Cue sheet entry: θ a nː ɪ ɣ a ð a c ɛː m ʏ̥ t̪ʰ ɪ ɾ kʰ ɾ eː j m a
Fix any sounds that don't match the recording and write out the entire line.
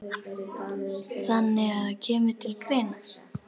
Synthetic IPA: θ a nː ɪ ɣ a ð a cʰ ɛː m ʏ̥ t̪ʰ ɪ l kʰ ɾ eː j n a